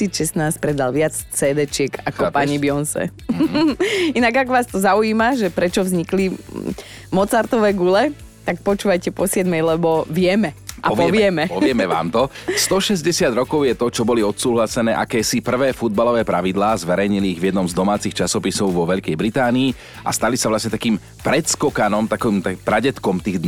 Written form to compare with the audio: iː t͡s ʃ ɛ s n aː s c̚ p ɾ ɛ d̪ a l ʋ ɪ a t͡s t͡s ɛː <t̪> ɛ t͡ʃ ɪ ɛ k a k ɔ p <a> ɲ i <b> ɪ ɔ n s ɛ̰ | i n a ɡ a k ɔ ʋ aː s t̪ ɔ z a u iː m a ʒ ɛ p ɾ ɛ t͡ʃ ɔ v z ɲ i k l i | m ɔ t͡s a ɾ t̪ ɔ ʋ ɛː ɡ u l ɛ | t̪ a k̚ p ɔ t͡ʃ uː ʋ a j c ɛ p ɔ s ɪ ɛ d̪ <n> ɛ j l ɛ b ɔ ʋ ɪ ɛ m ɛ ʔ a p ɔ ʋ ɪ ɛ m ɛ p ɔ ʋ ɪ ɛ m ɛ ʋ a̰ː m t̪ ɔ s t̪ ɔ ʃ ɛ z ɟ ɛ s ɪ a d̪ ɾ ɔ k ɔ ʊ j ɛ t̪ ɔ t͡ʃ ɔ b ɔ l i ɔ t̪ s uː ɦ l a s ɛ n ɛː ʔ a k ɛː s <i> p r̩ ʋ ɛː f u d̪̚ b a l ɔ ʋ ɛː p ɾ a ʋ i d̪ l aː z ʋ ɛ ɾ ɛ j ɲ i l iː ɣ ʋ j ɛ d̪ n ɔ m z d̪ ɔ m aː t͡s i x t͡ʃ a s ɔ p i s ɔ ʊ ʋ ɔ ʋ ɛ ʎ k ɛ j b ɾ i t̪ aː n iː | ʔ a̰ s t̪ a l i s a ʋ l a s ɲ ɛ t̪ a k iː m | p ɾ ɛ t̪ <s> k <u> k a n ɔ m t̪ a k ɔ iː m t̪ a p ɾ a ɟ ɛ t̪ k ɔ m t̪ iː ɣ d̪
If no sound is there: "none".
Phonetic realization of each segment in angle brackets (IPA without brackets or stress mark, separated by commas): d̪, a, b, m, i, s, ɔ